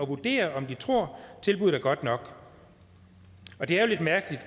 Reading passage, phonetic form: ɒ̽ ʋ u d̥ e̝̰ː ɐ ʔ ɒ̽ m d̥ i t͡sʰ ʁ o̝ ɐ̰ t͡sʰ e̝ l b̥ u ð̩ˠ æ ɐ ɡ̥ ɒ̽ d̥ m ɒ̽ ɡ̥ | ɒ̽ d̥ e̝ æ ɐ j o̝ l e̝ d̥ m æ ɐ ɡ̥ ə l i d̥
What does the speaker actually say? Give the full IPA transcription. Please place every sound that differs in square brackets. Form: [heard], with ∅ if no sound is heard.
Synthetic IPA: ɒ̽ ʋ u d̥ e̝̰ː ɐ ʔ ɒ̽ m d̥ i t͡sʰ ʁ o̝ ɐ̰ t͡sʰ e̝ l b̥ u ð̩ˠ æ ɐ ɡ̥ ɒ̽ d̥ [n] ɒ̽ ɡ̥ | ɒ̽ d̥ e̝ æ ɐ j o̝ l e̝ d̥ m æ ɐ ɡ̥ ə l i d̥